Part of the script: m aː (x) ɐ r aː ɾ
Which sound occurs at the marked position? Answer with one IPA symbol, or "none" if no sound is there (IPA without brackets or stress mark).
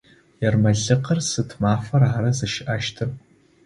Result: f